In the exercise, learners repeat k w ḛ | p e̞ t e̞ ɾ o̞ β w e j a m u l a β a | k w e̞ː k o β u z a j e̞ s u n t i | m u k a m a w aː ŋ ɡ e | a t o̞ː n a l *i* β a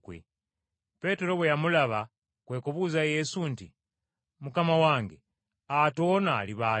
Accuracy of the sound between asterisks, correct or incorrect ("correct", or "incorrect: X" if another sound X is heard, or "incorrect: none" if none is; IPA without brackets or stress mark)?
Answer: correct